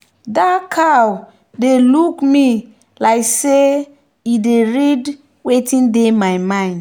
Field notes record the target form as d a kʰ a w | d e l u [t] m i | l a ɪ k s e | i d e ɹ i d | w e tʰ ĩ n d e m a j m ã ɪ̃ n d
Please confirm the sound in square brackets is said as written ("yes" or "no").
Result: no